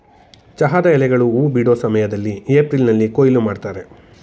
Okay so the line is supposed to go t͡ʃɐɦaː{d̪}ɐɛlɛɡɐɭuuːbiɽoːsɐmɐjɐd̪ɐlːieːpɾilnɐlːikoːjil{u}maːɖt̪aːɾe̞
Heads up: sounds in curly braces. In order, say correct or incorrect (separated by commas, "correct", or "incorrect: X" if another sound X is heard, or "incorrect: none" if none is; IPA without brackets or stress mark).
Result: correct, correct